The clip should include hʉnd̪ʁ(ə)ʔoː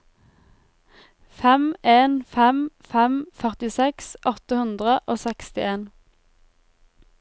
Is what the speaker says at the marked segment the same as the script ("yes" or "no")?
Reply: yes